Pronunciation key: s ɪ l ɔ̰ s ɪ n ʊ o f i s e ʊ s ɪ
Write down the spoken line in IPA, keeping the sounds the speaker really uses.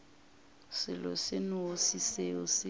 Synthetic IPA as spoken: s ɪ l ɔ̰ s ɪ n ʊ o s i s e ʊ s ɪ